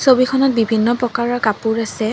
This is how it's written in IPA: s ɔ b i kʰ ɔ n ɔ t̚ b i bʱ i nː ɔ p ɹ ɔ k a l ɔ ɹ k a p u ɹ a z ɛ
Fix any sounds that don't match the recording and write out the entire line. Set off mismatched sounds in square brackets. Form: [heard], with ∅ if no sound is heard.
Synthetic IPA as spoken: s [o] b i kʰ ɔ n ɔ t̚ b i bʱ i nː ɔ p ɹ ɔ k a [ɹ] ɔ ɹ k a p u ɹ a [s] ɛ